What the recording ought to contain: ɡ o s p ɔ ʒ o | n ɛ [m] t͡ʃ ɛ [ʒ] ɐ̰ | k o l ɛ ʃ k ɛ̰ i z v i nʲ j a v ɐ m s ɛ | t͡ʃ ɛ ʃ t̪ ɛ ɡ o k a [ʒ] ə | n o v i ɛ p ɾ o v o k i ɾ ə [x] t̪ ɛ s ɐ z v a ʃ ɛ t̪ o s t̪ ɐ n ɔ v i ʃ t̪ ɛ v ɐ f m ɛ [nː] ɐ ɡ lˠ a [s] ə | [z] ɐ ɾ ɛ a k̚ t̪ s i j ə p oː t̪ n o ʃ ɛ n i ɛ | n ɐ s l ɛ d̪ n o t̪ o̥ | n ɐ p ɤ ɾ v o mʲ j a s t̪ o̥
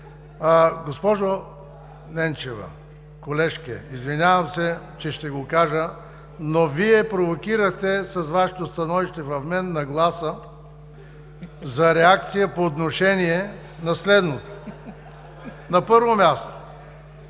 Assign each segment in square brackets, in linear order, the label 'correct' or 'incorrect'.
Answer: incorrect, incorrect, correct, correct, correct, correct, correct

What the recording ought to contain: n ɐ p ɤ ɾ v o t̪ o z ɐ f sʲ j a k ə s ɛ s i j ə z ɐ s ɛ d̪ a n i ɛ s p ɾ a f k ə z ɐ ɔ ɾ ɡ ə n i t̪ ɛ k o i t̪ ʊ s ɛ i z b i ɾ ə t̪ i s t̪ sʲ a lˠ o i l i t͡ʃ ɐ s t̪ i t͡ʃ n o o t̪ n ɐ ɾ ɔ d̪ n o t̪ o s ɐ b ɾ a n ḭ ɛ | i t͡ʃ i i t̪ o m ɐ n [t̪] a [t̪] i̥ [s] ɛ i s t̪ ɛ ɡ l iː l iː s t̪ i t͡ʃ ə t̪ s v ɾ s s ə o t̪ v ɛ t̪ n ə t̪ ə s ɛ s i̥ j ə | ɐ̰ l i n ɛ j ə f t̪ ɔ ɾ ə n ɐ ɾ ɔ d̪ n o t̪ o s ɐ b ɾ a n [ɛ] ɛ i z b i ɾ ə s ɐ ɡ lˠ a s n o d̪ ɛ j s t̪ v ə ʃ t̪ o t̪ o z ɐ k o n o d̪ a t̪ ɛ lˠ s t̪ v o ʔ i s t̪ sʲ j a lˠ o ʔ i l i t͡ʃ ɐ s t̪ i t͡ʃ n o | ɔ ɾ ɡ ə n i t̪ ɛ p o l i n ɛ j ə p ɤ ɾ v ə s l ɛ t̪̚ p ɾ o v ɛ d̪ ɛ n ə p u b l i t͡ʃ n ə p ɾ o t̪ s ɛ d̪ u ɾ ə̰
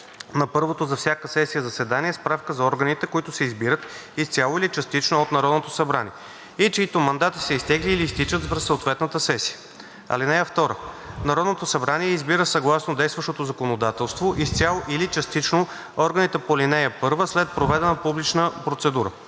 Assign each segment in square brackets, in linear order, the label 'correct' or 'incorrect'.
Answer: incorrect, correct, correct, incorrect

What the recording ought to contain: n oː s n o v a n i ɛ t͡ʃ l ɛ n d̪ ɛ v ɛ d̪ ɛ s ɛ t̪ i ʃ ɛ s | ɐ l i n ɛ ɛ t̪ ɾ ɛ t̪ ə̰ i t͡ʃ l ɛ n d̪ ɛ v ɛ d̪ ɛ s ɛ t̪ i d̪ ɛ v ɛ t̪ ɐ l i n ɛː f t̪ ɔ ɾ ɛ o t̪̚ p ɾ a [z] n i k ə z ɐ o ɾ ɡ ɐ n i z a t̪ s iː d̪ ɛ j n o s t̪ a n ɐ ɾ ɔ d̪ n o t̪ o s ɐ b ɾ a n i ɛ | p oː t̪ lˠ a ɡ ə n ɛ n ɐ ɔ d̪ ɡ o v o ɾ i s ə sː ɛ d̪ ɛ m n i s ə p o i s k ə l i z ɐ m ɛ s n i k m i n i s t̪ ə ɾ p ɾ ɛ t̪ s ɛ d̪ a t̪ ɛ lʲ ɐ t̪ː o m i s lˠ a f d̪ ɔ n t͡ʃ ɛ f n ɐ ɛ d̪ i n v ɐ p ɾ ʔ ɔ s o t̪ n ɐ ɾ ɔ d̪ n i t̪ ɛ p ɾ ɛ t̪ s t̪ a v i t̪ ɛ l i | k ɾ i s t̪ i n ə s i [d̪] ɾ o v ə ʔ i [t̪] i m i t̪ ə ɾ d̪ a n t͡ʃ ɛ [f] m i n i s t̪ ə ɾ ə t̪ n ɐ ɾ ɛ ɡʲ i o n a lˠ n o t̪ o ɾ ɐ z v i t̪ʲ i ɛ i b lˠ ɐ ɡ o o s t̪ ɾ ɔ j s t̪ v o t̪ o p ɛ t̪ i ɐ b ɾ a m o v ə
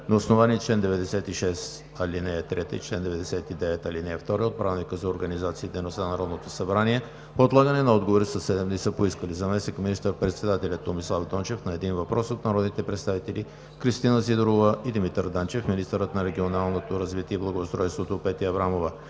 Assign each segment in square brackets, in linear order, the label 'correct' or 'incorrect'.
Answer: incorrect, correct, incorrect, correct

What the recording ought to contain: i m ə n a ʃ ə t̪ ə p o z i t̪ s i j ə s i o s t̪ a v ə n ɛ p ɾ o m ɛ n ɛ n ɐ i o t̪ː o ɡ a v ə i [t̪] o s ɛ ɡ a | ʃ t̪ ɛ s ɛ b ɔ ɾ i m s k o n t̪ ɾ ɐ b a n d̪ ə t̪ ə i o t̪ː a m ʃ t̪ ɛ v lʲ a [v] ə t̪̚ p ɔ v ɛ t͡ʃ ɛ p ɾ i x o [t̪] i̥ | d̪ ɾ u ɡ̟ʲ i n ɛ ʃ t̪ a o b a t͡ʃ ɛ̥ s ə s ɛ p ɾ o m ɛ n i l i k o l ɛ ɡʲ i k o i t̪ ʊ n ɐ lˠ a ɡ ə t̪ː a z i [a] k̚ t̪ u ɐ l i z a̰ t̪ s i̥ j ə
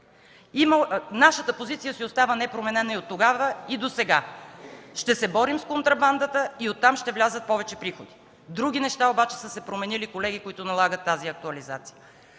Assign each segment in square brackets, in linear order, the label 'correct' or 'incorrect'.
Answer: incorrect, incorrect, incorrect, incorrect

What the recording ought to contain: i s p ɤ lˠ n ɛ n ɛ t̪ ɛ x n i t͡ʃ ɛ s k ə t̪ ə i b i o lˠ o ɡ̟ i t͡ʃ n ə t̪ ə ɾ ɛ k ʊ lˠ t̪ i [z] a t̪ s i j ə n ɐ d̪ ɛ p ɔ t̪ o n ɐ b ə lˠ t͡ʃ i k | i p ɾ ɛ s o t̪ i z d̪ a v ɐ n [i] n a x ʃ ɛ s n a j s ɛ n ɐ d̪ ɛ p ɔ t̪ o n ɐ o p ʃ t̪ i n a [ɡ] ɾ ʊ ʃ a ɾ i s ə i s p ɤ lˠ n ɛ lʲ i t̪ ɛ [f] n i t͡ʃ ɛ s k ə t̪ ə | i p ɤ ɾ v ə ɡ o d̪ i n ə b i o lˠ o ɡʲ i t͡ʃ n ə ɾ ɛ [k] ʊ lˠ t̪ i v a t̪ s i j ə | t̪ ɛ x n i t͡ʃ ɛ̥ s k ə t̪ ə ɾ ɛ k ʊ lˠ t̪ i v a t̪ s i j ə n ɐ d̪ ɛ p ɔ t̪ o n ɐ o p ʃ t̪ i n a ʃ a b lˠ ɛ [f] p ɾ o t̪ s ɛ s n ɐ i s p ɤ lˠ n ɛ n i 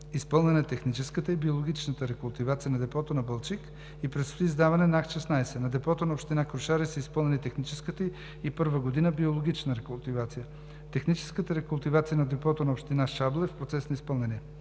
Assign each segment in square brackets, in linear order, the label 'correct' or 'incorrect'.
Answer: incorrect, incorrect, incorrect, incorrect, correct, correct

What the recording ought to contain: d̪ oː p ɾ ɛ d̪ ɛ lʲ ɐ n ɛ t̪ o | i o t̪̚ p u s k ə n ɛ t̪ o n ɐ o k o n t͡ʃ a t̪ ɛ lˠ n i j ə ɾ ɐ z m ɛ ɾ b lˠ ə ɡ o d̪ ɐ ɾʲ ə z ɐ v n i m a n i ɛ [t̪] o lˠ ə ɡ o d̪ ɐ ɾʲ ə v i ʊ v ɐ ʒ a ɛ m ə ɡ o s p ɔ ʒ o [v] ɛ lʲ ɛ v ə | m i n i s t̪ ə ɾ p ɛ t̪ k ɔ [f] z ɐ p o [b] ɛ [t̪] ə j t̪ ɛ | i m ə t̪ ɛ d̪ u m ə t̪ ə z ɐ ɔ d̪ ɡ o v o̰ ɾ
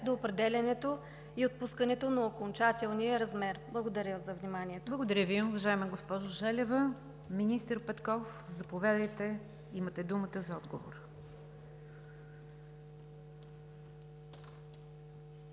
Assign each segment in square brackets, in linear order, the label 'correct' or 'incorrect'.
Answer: correct, incorrect, correct, incorrect, incorrect

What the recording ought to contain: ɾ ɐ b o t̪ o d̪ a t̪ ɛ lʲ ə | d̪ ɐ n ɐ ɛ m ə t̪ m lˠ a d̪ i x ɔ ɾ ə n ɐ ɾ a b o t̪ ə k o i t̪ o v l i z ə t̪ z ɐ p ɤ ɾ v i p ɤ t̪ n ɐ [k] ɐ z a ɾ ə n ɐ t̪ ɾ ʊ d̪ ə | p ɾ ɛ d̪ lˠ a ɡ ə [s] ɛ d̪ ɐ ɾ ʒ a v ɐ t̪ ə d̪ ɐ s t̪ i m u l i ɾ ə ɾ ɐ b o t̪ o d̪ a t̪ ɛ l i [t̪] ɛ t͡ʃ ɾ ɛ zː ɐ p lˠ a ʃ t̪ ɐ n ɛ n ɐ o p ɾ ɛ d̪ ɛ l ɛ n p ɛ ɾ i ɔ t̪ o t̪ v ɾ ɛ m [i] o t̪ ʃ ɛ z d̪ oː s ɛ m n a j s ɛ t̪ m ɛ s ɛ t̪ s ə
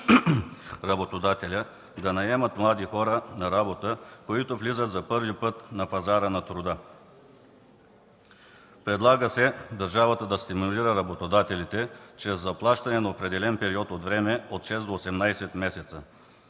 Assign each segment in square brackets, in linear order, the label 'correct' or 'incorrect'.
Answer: incorrect, correct, correct, incorrect

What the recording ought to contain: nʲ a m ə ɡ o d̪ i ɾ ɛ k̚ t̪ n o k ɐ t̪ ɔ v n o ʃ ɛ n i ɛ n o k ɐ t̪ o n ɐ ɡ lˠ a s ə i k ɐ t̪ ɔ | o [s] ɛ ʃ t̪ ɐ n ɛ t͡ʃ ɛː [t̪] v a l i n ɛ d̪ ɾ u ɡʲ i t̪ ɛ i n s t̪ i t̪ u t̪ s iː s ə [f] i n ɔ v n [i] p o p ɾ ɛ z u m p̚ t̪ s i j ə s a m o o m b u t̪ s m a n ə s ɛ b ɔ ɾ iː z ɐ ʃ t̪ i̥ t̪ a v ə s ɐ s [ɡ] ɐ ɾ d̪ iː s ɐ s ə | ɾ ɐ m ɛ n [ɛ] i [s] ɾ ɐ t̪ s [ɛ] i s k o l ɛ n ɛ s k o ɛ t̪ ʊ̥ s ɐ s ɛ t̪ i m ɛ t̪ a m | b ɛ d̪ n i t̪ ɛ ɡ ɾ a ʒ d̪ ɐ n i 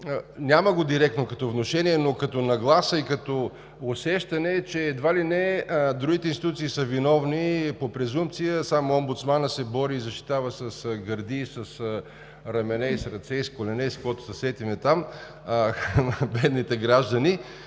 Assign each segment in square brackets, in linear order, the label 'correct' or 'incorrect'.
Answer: correct, incorrect, incorrect, correct, correct, correct, correct, correct

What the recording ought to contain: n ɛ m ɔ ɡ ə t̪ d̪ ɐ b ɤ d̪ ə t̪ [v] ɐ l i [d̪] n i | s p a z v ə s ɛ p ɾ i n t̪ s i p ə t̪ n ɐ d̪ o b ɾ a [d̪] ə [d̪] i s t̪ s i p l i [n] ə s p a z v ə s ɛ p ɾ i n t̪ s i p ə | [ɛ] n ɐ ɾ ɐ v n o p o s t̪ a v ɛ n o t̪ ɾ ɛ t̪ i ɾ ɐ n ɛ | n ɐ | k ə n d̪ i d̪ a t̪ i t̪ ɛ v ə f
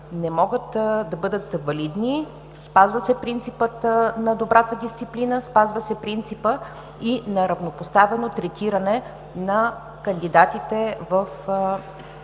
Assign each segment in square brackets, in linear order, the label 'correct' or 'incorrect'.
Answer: correct, correct, incorrect, correct, correct, incorrect

